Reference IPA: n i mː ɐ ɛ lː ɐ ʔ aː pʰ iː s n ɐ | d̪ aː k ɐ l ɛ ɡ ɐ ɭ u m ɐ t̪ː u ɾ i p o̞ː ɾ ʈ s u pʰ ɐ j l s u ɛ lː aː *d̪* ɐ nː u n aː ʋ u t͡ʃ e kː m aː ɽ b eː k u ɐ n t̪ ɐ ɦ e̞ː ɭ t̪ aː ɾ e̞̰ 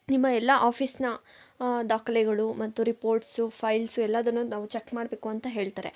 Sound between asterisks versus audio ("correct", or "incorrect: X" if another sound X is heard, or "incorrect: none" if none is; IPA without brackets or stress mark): correct